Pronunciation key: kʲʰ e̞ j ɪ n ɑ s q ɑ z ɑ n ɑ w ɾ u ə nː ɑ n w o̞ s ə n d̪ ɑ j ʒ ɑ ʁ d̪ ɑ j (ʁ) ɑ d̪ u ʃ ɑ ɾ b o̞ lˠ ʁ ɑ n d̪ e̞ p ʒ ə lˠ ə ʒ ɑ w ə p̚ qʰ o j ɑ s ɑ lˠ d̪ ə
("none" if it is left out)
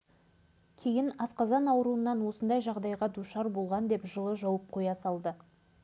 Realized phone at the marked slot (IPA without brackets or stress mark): ʁ